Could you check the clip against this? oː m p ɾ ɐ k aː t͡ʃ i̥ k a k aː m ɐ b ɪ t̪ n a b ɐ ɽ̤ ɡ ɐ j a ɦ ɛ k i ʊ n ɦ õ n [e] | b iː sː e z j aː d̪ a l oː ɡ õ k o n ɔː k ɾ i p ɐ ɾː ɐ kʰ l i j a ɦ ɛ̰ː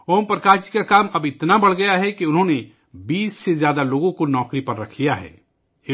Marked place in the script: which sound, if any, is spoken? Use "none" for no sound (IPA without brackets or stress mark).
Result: e